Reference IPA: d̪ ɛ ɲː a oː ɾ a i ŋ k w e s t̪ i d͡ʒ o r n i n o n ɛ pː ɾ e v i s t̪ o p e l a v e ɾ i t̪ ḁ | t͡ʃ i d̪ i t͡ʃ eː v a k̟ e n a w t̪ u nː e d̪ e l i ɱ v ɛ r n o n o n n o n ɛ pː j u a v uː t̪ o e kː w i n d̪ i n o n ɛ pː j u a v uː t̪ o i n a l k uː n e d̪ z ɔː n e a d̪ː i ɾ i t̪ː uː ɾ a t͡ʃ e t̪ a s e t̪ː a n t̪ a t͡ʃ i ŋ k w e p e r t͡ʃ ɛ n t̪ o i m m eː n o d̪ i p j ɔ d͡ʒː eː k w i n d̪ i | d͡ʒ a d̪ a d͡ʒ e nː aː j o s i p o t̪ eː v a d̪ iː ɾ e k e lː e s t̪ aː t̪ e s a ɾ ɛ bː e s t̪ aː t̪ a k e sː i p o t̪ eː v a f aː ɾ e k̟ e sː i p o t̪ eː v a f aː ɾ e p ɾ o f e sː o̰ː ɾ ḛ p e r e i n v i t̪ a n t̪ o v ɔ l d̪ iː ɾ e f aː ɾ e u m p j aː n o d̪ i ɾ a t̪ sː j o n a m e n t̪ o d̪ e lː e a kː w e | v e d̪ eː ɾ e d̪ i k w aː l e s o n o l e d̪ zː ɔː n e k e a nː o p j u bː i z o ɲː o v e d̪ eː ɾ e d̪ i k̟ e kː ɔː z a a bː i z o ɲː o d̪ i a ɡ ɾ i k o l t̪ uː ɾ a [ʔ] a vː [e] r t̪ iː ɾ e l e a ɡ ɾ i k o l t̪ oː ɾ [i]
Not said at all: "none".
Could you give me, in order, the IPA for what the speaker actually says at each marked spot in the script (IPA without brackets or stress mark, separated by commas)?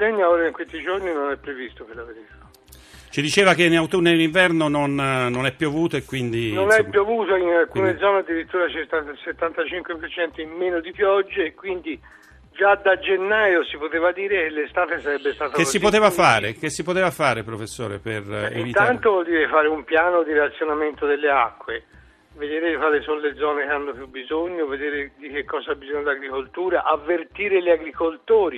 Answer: ʔ, e, i